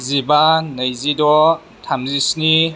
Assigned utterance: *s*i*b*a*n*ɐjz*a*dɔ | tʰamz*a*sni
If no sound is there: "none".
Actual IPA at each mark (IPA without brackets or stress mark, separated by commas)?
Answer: z, b, n, i, i